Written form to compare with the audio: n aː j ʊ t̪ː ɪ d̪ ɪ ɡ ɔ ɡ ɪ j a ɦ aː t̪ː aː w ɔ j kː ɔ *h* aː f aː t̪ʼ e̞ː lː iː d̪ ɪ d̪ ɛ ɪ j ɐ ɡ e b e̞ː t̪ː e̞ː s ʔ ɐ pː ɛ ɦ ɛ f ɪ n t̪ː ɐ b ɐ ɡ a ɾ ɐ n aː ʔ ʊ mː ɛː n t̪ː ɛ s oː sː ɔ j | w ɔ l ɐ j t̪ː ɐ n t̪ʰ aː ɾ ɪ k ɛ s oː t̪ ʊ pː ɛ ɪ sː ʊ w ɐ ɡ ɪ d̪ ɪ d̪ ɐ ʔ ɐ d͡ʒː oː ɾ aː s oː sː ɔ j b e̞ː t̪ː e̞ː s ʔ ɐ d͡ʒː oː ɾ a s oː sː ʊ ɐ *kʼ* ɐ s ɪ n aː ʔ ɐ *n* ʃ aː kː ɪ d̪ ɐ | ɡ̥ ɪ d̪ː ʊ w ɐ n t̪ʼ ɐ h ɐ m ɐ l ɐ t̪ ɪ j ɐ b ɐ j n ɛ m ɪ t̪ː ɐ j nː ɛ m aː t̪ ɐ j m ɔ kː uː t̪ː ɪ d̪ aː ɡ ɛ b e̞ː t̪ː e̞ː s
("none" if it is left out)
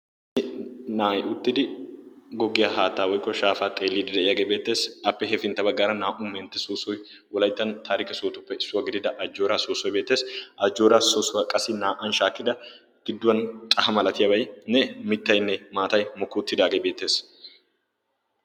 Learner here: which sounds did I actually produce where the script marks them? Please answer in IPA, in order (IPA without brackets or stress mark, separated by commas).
ʃ, kʼ, n